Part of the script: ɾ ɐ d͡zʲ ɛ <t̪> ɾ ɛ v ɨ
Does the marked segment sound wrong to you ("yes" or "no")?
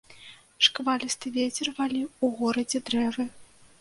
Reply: yes